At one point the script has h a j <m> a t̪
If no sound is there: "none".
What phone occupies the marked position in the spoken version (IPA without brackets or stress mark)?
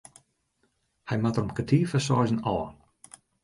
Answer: m